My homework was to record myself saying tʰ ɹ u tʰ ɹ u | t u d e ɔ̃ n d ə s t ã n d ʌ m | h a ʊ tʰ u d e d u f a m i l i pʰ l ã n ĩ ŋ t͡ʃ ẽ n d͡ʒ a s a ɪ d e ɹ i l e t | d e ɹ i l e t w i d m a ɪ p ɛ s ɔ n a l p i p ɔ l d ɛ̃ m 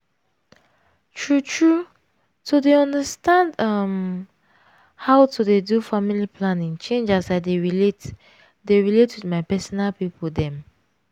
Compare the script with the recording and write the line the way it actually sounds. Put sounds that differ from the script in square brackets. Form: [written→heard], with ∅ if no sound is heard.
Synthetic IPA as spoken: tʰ ɹ u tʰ ɹ u | t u d e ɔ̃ n d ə s t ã n d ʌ m | h a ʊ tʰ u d e d u f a m i l i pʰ l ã n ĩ ŋ t͡ʃ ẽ n d͡ʒ a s a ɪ d e ɹ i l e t | d e ɹ i l e t w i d m a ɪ p ɛ s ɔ n a l p i p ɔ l d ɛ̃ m